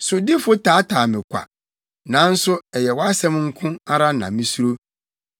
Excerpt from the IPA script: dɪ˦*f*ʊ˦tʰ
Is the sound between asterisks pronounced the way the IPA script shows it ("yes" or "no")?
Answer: yes